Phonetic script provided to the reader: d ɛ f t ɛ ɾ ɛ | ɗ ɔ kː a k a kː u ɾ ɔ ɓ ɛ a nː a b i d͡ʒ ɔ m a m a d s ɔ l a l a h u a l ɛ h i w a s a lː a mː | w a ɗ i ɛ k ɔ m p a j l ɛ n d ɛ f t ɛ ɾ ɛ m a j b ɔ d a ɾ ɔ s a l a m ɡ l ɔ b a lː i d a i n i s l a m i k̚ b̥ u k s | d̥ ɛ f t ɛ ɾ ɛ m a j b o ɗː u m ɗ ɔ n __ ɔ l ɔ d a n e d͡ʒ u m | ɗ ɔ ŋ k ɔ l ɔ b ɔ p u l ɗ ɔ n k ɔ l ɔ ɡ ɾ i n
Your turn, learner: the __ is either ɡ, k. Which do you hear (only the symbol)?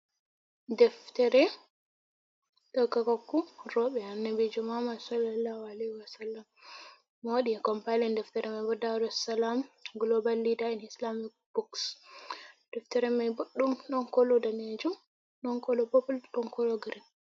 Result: k